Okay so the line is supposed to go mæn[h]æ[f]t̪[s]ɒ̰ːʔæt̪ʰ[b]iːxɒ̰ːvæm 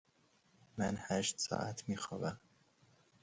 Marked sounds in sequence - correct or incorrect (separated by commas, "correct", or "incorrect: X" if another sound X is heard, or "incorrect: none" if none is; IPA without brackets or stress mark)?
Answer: correct, incorrect: ʃ, correct, incorrect: m